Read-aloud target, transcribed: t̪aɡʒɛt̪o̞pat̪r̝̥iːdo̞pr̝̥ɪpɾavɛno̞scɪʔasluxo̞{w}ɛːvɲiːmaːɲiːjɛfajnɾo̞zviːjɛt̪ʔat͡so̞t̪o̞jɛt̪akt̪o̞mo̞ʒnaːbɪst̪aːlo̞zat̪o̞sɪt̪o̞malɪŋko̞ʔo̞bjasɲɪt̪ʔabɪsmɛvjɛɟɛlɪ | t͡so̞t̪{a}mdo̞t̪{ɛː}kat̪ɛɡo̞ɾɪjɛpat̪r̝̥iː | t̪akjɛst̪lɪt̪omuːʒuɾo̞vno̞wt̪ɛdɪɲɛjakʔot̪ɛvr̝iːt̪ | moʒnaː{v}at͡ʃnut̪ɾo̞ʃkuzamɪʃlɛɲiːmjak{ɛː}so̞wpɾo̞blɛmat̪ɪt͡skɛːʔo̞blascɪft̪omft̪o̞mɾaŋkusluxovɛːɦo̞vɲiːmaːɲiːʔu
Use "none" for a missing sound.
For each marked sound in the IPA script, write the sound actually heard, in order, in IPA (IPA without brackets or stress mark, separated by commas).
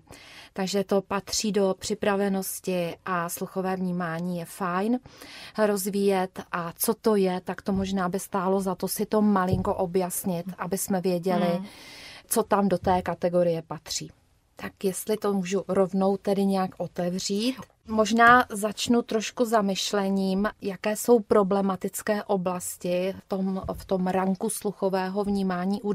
v, a, ɛː, z, ɛː